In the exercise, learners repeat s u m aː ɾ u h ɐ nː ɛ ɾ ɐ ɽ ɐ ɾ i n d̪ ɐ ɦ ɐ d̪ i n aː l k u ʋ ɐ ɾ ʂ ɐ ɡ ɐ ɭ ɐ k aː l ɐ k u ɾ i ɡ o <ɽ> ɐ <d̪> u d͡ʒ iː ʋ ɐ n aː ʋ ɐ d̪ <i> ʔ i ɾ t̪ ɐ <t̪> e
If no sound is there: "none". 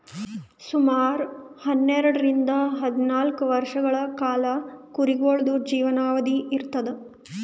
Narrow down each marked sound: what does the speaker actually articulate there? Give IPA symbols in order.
ɭ, d̪, i, d̪

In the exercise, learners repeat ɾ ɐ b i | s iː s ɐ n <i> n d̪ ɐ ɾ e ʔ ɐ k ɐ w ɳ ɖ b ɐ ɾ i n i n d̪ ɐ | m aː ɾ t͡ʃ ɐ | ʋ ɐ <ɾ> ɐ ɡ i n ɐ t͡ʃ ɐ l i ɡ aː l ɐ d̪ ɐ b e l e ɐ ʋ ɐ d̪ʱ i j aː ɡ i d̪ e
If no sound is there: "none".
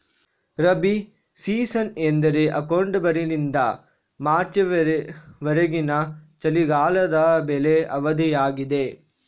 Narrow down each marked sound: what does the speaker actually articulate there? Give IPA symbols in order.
e, ɾ

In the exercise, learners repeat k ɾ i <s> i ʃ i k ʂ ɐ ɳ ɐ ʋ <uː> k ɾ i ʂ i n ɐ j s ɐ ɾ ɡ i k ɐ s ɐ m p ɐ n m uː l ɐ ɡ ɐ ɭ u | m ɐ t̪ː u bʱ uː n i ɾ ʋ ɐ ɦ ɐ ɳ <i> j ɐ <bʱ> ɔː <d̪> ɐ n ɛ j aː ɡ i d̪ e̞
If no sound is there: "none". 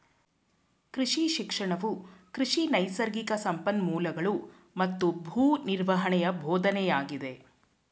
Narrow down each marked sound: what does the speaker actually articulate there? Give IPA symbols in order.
ʂ, u, ɛ, bʱ, d̪

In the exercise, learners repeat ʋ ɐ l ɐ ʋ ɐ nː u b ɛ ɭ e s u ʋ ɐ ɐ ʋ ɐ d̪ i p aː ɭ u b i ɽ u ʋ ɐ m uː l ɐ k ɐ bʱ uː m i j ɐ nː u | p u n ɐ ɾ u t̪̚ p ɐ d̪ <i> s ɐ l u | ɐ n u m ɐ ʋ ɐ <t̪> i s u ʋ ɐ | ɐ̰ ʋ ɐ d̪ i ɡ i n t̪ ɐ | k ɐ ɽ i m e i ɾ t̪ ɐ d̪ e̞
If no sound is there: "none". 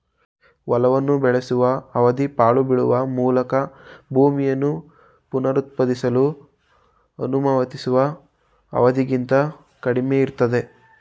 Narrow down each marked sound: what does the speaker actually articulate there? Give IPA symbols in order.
i, t̪

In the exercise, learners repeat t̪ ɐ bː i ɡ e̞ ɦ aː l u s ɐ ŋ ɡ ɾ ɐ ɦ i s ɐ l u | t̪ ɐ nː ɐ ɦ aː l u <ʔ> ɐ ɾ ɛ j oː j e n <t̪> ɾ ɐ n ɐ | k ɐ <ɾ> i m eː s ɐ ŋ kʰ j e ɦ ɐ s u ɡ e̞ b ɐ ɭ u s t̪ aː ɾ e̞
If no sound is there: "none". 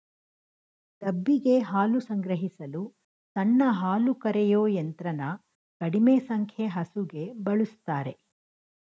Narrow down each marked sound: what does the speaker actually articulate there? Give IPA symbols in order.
k, t̪, ɽ

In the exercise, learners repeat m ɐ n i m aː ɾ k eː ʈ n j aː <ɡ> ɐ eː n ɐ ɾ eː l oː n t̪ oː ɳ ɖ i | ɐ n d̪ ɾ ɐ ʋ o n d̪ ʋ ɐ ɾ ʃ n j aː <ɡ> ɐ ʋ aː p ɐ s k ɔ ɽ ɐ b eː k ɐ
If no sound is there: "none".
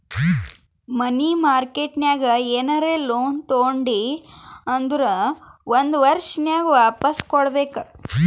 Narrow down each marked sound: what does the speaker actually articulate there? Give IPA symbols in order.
ɡ, ɡ

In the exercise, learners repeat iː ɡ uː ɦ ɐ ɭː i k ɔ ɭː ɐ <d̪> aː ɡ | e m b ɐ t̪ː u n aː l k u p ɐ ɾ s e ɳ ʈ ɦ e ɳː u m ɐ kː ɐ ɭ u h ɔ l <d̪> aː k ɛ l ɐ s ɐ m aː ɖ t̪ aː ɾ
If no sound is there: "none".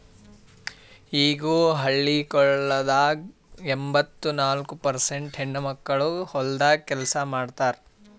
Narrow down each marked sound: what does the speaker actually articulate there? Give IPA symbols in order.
d̪, d̪

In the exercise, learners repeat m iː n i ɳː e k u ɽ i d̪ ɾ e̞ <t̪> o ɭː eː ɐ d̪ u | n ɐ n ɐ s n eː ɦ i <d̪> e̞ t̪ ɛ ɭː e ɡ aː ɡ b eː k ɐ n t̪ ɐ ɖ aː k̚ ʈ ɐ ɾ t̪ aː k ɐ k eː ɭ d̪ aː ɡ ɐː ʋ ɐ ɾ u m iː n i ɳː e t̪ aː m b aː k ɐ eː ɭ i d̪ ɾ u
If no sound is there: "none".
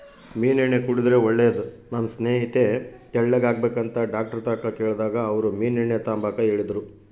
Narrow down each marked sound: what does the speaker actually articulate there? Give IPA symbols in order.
none, t̪

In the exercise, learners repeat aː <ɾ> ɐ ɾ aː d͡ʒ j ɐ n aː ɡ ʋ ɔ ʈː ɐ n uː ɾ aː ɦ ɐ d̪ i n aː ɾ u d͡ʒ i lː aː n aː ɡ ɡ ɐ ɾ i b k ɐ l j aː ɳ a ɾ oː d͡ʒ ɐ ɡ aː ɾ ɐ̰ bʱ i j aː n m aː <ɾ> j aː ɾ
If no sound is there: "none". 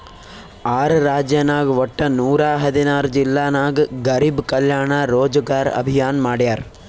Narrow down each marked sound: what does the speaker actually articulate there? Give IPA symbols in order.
ɾ, ɽ

